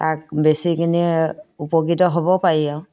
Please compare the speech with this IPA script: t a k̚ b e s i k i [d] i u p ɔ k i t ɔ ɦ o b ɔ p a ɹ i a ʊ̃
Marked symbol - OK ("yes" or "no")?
no